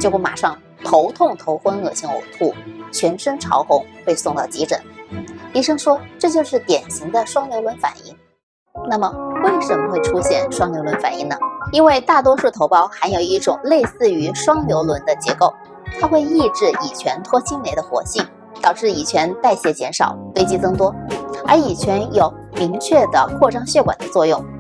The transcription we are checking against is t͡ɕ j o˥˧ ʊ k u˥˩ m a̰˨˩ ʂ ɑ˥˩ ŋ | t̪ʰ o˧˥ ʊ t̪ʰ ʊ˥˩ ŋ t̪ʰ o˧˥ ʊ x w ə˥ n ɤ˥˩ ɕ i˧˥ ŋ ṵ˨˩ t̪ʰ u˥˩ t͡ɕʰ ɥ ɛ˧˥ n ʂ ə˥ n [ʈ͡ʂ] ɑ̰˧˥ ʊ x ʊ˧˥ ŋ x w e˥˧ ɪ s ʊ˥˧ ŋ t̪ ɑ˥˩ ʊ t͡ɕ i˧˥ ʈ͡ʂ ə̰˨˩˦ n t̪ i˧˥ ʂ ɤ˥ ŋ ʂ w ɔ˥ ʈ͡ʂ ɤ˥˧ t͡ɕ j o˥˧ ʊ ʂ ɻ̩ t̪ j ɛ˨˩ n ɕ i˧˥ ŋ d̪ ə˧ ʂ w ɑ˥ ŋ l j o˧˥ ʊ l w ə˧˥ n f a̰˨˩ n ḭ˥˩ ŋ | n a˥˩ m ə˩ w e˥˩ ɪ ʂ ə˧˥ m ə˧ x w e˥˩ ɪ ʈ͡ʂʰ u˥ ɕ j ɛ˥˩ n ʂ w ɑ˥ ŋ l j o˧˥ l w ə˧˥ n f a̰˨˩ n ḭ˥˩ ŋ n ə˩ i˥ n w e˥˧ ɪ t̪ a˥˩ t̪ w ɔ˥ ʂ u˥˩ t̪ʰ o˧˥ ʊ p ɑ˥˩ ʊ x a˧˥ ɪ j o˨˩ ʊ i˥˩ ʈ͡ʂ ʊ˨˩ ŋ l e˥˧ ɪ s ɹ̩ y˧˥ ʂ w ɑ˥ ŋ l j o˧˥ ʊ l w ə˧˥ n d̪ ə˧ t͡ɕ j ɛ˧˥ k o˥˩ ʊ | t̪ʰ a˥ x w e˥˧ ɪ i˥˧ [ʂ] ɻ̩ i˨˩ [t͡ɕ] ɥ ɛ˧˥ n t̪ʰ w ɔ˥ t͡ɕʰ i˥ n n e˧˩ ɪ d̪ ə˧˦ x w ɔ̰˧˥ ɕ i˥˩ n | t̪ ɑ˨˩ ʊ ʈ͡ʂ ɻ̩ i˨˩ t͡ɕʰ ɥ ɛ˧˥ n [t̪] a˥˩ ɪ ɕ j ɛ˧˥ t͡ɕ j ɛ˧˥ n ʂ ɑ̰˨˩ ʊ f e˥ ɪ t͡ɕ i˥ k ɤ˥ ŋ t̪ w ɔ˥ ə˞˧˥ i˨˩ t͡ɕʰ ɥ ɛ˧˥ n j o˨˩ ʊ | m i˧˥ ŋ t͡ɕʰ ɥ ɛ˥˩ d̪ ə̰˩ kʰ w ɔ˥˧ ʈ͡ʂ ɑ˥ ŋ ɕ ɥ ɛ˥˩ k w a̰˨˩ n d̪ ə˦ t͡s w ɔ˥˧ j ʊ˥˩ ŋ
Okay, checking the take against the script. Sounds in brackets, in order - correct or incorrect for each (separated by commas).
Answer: incorrect, incorrect, incorrect, correct